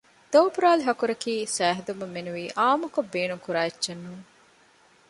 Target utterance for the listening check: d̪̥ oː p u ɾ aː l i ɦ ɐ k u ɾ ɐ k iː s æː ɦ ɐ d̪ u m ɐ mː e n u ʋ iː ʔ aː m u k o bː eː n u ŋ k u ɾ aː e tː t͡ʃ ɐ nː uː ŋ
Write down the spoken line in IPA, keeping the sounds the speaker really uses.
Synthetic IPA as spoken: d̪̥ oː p u ɾ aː l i ɦ ɐ k u ɾ ɐ k iː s æː ɦ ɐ d̪ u m ɐ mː e n u ʋ iː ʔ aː m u k o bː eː n u ŋ k u ɾ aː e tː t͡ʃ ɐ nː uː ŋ